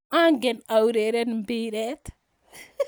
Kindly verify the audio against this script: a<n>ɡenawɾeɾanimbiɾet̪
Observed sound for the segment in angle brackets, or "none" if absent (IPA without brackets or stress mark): ŋ